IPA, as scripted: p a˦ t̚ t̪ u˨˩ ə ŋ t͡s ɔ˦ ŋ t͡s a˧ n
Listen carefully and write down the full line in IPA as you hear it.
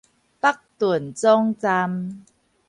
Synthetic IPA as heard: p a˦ k̚ t̪ u˨˩ ə n t͡s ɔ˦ ŋ t͡s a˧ m